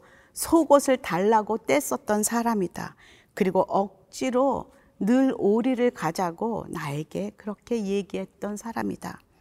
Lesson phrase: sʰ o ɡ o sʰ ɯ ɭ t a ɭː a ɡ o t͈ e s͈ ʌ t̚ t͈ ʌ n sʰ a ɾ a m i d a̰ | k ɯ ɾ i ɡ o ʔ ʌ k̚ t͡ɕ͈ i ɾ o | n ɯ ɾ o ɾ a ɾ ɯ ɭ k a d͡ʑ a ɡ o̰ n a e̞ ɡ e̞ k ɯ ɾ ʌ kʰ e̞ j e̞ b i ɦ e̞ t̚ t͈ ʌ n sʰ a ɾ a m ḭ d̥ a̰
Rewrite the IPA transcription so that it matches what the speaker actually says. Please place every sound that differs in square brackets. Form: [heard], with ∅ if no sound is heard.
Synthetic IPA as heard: sʰ o ɡ o sʰ ɯ ɭ t a ɭː a ɡ o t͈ e s͈ ʌ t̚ t͈ ʌ n sʰ a ɾ a m i d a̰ | k ɯ ɾ i ɡ o ʔ ʌ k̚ t͡ɕ͈ i ɾ o | n ɯ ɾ o ɾ [i] ɾ ɯ ɭ k a d͡ʑ a ɡ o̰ n a e̞ ɡ e̞ k ɯ ɾ ʌ kʰ e̞ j e̞ [ɡ] i ɦ e̞ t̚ t͈ ʌ n sʰ a ɾ a m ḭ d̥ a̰